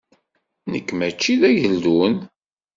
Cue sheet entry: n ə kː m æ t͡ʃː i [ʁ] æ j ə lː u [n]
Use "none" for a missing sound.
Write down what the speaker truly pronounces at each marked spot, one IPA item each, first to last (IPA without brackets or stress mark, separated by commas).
ð, n